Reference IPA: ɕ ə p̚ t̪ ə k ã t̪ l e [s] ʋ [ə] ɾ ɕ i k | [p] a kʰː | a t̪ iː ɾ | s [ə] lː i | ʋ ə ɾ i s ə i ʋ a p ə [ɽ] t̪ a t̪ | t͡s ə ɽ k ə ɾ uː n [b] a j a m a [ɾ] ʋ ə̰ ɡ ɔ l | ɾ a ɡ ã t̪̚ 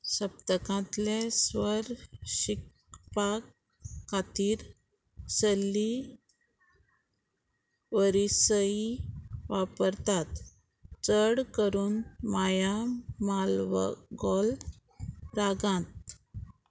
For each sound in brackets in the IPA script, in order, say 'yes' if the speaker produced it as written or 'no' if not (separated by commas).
yes, yes, yes, yes, no, no, no